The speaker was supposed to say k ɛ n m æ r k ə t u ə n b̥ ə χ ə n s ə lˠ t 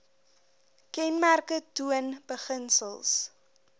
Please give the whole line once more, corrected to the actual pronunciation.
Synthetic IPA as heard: k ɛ n m æ r k ə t u ə n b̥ ə χ ə n s ə lˠ s